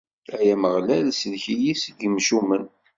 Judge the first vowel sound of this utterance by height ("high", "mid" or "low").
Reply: low